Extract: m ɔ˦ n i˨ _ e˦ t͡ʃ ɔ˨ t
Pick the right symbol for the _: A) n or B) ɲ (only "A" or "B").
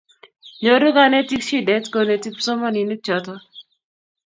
A